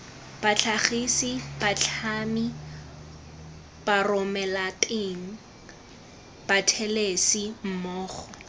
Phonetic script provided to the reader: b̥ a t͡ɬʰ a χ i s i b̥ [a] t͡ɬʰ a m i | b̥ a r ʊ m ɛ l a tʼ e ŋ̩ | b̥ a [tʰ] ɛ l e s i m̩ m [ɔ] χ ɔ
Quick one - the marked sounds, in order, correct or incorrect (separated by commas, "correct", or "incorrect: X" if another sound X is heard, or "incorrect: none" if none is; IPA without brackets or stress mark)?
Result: correct, correct, incorrect: ɔː